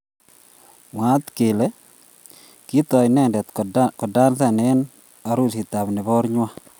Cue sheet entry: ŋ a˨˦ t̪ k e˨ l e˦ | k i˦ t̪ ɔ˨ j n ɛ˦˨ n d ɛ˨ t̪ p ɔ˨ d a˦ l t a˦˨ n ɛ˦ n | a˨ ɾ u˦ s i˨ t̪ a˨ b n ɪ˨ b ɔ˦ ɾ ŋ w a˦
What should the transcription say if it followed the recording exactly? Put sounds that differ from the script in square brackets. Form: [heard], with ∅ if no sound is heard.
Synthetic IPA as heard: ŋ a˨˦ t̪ k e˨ l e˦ | k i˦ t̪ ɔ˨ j n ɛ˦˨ n d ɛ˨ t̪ [k] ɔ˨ d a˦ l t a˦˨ n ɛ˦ n | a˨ ɾ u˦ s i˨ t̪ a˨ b n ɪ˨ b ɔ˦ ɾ [ɲ] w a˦